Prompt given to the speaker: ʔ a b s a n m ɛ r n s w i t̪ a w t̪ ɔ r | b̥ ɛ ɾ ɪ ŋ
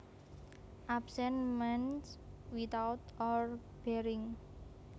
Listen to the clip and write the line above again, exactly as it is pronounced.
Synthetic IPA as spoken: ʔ a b s ɛ n m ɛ n s w i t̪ a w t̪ ɔ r | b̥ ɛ ɾ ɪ ŋ

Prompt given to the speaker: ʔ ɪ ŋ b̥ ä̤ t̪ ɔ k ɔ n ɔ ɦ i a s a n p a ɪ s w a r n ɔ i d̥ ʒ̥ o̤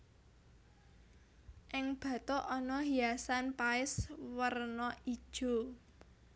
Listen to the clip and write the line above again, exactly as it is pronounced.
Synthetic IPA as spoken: ʔ ɪ ŋ b̥ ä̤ t̪ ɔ ʔ ɔ n ɔ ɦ i a s a n p a ɪ s w ə r n ɔ i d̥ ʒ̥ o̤

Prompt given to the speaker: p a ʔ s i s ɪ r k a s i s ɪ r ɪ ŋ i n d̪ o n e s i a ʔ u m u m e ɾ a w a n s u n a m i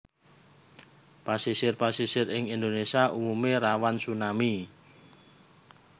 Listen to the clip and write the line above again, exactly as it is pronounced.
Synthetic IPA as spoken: p a s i s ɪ r p a s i s ɪ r ɪ ŋ i n d̪ o n e s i a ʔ u m u m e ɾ a w a n s u n a m i

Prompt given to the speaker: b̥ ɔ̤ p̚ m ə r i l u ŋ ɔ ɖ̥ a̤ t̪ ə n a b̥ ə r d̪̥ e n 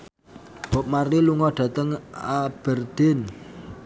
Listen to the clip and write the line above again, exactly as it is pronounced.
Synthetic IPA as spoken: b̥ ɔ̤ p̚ m a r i l u ŋ ɔ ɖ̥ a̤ t̪ ə ŋ a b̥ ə r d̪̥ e n

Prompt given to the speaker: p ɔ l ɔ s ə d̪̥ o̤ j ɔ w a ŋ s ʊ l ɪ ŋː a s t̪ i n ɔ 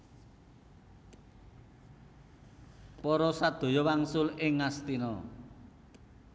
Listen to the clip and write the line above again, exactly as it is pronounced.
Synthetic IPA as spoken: p ɔ ɾ ɔ s a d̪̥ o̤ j ɔ w a ŋ s ʊ l ɪ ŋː a s t̪ i n ɔ

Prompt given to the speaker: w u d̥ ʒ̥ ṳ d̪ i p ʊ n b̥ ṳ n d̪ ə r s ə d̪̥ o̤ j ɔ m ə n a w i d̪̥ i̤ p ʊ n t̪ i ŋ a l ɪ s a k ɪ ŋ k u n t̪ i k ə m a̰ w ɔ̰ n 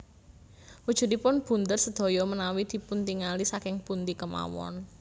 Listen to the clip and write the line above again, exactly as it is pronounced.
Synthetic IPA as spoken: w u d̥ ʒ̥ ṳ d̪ i p ʊ n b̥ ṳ n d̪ ə r s ə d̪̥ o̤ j ɔ m ə n a w i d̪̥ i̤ p u n t̪ i ŋ a l i s a k ɪ ŋ p u n t̪ i k ə m a̰ w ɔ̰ n

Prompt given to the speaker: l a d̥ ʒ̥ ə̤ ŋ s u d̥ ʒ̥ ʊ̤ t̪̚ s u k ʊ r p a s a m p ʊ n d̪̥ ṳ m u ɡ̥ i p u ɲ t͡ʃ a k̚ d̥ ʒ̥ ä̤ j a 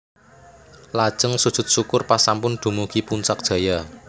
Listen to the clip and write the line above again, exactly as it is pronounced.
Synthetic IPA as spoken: l a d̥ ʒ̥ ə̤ ŋ s u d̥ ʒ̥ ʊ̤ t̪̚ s u k ʊ r p a s a m p ʊ n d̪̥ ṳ m u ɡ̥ i p u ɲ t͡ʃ a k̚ d̥ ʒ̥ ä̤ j a

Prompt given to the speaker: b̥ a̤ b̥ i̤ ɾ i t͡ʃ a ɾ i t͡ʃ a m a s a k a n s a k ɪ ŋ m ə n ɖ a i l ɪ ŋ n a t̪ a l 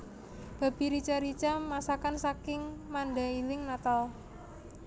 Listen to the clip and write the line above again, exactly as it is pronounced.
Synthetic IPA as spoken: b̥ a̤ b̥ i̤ ɾ i t͡ʃ a ɾ i t͡ʃ a m a s a k a n s a k ɪ ŋ m a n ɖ a i l ɪ ŋ n a t̪ a l

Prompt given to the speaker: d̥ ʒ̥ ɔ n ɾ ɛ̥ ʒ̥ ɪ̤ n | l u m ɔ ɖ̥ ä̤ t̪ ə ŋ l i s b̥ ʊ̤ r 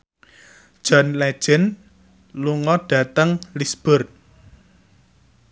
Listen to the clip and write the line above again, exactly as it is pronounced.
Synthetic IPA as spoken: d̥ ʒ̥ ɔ n l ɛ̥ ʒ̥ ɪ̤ n | l u ŋ ɔ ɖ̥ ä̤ t̪ ə ŋ l i s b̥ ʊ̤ r

